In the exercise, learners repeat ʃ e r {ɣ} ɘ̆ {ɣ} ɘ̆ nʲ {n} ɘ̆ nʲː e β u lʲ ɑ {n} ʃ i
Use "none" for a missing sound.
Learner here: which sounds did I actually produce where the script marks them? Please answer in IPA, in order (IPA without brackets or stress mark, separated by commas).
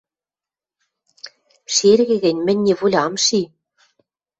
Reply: ɣ, ɣ, m, m